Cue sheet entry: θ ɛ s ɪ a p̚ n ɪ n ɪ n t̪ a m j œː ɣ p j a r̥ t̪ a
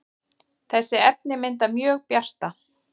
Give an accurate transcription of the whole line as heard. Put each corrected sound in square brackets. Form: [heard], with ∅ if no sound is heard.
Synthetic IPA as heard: θ ɛ [sː] ɪ [ɛ] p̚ n ɪ [m] ɪ n t̪ a m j œː ɣ p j a r̥ t̪ a

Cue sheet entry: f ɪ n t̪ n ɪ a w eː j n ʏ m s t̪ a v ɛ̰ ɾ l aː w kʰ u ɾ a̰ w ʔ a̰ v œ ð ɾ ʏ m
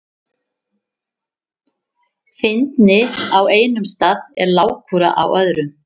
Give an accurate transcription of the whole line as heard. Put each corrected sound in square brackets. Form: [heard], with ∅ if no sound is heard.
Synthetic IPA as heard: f ɪ n t̪ n ɪ a w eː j n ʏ m s t̪ a [ð] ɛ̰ ɾ l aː w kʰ u ɾ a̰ [∅] ʔ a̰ [w] œ ð ɾ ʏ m

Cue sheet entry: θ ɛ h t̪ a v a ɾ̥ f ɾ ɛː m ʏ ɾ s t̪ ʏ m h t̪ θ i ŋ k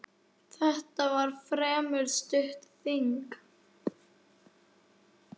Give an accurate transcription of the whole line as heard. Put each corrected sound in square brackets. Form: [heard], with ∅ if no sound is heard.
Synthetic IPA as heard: θ ɛ h t̪ a v a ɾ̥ f ɾ ɛː m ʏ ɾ s t̪ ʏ [∅] h t̪ θ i ŋ k

